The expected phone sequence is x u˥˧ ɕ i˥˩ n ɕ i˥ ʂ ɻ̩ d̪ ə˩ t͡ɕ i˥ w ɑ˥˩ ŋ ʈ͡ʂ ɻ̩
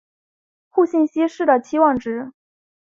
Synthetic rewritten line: x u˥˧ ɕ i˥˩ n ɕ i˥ ʂ ɻ̩ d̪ ə˩ t͡ɕʰ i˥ w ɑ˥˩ ŋ ʈ͡ʂ ɻ̩